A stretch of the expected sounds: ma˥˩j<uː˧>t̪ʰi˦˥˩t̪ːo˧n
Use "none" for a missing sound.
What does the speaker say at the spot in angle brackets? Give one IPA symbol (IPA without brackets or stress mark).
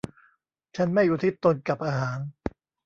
uː˨˩